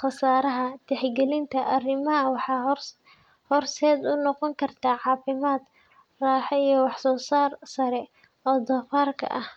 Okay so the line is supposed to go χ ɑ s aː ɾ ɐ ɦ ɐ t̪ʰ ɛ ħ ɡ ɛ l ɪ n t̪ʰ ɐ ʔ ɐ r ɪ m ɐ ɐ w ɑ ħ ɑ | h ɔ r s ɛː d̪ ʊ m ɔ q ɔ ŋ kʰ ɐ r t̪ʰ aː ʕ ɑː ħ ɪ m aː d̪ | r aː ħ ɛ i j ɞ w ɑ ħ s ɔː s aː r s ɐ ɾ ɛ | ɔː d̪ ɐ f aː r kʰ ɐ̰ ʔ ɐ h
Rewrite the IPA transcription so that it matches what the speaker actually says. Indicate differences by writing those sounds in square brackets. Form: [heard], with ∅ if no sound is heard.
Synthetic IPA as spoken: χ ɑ s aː ɾ ɐ ɦ ɐ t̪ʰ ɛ ħ ɡ ɛ l ɪ n t̪ʰ ɐ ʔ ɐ r ɪ m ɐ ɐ w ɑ ħ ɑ | h ɔ r s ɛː d̪ ʊ [n] ɔ q ɔ ŋ kʰ ɐ r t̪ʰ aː ʕ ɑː [f] ɪ m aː d̪ | r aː ħ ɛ i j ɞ w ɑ ħ s ɔː s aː r s ɐ ɾ ɛ | ɔː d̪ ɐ f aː r kʰ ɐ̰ ʔ ɐ h